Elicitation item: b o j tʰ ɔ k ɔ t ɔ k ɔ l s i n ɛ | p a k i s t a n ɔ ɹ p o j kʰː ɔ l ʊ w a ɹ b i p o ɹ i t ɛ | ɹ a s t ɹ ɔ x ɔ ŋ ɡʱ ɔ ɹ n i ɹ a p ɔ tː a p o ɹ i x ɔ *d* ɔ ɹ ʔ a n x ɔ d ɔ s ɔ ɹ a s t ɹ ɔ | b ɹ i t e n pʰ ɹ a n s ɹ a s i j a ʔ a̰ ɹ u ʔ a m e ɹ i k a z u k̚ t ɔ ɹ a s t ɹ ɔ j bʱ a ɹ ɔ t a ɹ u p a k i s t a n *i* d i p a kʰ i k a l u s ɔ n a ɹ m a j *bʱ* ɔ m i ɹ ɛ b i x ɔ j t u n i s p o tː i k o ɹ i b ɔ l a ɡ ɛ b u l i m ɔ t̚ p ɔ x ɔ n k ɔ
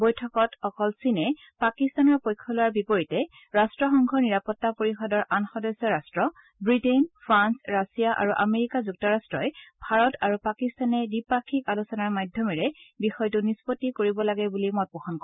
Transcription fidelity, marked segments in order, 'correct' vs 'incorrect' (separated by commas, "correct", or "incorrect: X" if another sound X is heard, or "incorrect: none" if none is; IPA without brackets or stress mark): correct, incorrect: ɛ, incorrect: dʱ